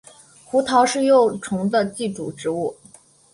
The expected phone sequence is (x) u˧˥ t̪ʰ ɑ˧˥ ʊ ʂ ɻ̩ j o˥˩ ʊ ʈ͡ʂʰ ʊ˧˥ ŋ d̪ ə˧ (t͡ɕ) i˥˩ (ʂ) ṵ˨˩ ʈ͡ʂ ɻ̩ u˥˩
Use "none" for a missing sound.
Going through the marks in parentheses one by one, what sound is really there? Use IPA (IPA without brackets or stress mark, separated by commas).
x, t͡ɕ, ʈ͡ʂ